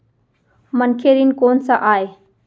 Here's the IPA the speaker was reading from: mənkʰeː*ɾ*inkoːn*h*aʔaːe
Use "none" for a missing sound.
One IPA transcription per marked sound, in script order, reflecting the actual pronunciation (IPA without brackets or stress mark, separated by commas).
ɾ, s